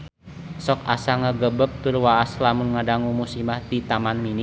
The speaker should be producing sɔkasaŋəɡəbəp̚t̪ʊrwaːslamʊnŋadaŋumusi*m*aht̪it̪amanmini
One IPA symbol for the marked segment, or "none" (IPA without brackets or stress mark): m